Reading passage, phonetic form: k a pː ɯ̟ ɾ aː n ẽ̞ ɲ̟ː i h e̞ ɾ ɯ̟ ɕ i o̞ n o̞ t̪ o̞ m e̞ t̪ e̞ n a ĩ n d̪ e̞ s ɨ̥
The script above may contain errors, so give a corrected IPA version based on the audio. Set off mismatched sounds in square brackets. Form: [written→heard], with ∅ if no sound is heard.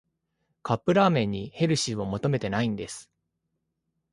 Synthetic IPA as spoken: k a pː ɯ̟ ɾ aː [n→m] ẽ̞ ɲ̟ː i h e̞ ɾ ɯ̟ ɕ i o̞ [n→m] o̞ t̪ o̞ m e̞ t̪ e̞ n a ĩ n d̪ e̞ s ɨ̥